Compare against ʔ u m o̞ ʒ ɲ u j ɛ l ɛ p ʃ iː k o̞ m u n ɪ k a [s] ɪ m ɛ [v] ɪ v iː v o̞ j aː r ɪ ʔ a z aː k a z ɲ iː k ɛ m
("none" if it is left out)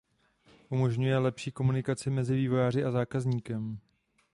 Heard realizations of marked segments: t͡s, z

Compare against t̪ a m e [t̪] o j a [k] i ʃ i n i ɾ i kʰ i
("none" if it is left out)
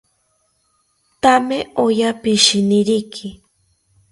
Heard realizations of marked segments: none, p

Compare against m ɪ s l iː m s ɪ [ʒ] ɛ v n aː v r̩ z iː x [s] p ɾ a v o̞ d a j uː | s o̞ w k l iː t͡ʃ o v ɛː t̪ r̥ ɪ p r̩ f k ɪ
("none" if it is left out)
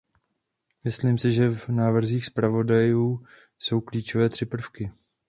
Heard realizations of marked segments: ʒ, s

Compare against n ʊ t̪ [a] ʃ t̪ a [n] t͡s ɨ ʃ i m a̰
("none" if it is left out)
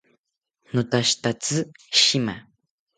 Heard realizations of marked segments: a, none

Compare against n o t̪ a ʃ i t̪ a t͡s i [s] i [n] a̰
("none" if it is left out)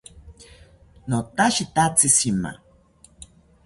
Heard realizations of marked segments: s, m

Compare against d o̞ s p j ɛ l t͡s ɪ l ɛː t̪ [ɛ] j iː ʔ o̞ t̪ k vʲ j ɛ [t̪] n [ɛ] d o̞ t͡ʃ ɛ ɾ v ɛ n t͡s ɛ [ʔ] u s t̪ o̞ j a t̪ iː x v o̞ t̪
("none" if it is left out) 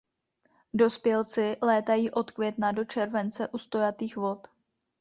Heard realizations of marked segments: a, t̪, a, ʔ

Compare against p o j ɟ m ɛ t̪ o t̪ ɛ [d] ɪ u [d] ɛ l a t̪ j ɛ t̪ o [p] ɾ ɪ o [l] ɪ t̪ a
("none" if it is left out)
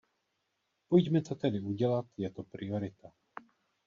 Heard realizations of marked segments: d, ɟ, p, ɾ

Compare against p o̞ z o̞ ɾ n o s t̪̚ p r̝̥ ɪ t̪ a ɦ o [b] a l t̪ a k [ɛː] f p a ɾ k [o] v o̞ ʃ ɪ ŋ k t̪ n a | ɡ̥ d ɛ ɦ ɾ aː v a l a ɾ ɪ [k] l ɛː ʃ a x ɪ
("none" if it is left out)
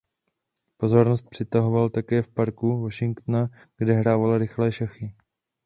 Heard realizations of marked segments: v, ɛː, u, x

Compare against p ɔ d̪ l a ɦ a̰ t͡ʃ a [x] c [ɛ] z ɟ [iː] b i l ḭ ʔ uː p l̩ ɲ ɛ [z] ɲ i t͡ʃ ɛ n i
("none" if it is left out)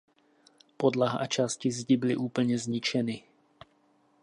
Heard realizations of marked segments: s, i, i, z

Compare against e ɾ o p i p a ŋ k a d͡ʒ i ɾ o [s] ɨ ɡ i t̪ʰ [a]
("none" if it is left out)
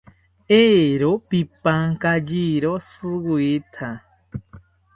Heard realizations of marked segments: s, a

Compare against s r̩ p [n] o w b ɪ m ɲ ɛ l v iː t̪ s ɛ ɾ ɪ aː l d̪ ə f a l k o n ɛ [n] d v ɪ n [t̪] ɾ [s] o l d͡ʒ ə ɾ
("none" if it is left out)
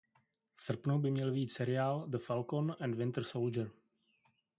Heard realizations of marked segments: n, n, t̪, s

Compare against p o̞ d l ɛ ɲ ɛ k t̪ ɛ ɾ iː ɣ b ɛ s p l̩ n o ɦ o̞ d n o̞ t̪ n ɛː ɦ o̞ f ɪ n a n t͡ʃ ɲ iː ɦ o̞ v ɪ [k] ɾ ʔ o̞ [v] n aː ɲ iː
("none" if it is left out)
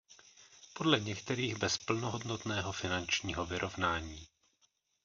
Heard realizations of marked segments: none, v

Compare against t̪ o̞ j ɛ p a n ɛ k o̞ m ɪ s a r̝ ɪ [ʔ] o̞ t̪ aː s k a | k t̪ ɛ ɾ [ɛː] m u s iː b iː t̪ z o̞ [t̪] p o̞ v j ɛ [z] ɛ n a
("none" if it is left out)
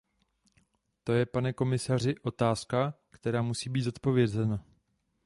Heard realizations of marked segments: ʔ, aː, t̪, z

